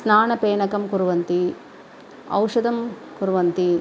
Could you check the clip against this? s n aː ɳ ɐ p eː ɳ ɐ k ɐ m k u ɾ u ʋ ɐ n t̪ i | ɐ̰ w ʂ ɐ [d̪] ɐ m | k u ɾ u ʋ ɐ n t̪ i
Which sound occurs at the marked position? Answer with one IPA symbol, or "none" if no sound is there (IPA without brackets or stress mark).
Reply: d̪